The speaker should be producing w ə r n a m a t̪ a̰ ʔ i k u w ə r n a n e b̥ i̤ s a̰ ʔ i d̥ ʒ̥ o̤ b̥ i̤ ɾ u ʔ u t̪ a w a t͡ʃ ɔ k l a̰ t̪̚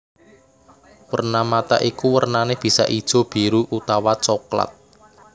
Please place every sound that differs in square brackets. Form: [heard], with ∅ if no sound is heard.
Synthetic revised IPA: w ə r n a m a t̪ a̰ ʔ i k u w ə r n a n e b̥ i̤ s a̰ ʔ i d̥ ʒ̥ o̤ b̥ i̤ ɾ u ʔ u t̪ a w a t͡ʃ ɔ k l a̰ t̪̚